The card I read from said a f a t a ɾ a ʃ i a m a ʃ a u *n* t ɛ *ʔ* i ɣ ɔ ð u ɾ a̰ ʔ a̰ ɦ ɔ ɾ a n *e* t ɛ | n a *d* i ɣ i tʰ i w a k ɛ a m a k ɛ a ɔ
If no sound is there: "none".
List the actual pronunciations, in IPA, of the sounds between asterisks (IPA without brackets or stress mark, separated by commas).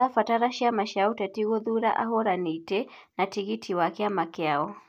none, t, i, t